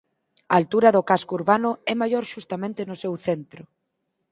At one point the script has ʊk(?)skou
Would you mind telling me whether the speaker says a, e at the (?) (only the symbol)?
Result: a